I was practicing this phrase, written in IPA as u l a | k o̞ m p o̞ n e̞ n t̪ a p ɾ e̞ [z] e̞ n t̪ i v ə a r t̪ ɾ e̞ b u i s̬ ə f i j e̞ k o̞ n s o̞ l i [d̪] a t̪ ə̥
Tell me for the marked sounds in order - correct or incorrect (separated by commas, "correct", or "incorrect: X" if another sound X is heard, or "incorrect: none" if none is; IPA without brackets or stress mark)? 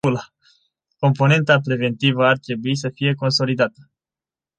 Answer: incorrect: v, correct